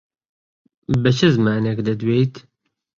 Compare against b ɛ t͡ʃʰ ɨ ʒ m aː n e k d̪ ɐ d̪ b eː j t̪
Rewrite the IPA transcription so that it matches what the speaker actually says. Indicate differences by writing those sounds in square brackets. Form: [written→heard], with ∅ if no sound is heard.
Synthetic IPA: b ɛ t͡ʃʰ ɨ [ʒ→z] m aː n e k d̪ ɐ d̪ [b→w] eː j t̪